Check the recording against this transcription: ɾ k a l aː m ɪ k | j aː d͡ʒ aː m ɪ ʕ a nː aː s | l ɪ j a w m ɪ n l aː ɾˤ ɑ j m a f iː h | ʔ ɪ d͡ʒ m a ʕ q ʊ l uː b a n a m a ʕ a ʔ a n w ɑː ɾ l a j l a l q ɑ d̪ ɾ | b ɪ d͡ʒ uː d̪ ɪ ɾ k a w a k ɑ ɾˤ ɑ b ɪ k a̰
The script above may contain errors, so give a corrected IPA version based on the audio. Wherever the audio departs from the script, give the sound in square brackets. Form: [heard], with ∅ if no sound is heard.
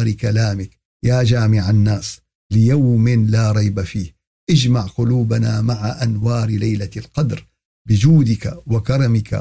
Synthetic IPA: ɾ k a l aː m ɪ k | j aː d͡ʒ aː m ɪ ʕ a nː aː s | l ɪ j a w m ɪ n l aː ɾˤ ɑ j [b] a f iː h | ʔ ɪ d͡ʒ m a ʕ q ʊ l uː b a n a m a ʕ a ʔ a n w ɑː ɾ l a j l a l q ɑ d̪ ɾ | b ɪ d͡ʒ uː d̪ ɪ [∅] k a w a k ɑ ɾˤ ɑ [m] ɪ k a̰